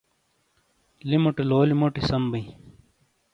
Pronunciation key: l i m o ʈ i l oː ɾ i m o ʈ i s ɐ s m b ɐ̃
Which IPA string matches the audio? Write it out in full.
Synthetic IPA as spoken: l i m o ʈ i l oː l i m o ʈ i s ɐ m b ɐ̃